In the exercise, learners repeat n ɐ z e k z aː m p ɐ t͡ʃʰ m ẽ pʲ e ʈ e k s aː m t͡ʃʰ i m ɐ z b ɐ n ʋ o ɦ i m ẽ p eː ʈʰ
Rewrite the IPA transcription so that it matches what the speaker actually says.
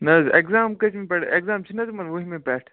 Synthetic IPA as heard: n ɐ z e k z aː m k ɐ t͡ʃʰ m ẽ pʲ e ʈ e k z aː m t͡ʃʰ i n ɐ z m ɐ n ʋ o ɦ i m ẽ p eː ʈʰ